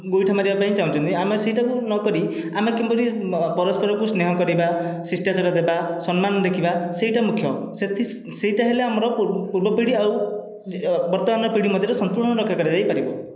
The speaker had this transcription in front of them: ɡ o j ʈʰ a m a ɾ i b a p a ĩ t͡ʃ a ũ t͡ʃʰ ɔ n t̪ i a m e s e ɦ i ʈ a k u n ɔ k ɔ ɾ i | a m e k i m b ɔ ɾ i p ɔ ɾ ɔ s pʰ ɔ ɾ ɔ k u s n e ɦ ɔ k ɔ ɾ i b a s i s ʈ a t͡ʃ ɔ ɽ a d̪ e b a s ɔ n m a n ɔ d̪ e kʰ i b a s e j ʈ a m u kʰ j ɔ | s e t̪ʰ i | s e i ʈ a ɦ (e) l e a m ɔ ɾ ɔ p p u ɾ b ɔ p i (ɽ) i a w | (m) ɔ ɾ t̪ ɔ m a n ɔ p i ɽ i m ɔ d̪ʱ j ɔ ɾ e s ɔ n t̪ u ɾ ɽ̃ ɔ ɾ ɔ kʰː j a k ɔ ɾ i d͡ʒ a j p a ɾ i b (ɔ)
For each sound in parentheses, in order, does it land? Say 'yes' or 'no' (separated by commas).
yes, yes, no, yes